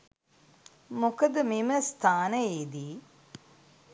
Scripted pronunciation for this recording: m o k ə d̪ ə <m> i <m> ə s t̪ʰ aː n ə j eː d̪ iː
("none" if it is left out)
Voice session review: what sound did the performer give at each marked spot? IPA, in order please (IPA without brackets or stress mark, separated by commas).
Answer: m, m